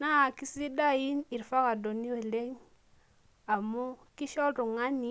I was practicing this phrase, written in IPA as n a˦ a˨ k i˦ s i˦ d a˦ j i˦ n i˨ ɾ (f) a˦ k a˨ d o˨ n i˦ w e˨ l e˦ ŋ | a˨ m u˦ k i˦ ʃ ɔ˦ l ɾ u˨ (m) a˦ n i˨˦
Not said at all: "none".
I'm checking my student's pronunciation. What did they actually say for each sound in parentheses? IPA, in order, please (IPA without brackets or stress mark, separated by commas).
f, ŋ